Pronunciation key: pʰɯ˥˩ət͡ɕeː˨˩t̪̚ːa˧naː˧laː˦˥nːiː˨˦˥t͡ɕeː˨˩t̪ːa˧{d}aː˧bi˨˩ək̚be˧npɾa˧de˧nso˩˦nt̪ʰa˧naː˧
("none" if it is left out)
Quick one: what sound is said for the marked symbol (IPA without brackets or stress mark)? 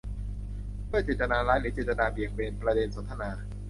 n